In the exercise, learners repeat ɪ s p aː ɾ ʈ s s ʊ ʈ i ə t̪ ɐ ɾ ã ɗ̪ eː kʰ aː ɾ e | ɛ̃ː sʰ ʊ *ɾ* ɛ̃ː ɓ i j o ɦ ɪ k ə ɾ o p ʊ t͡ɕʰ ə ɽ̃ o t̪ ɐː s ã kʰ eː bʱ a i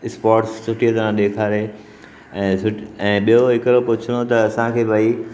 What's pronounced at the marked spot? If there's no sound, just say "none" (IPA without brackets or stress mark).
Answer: none